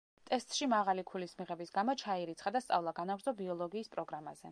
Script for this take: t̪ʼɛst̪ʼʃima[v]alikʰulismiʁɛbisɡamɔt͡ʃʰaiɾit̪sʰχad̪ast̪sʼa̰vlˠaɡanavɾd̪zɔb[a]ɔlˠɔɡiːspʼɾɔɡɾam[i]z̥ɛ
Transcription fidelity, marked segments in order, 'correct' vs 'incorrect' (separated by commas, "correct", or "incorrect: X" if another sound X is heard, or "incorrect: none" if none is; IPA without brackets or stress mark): incorrect: ʁ, incorrect: i, incorrect: a